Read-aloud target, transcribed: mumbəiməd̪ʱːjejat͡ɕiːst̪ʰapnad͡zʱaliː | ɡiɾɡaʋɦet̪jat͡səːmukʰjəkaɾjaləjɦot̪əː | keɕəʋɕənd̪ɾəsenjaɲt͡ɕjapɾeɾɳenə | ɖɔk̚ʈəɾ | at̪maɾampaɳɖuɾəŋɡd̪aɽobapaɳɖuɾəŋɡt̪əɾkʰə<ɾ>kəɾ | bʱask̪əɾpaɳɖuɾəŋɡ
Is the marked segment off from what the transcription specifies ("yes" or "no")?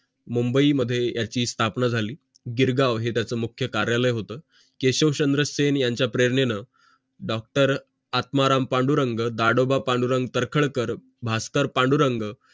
yes